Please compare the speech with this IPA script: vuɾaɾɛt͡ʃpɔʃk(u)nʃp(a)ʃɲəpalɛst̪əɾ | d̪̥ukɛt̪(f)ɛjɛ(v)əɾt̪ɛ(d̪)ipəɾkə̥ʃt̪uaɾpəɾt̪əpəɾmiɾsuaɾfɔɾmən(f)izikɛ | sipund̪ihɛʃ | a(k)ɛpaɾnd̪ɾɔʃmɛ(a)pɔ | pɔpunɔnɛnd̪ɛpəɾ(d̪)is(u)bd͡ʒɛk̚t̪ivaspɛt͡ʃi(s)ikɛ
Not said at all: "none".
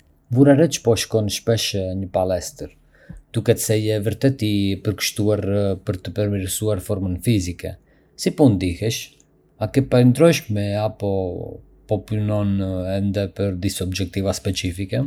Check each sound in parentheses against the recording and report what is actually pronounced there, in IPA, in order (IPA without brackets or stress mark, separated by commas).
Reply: ɔ, ɛ, s, v, t̪, f, k, a, d̪, ɔ, f